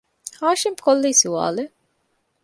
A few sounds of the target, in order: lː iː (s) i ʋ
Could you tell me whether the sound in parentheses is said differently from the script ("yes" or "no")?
no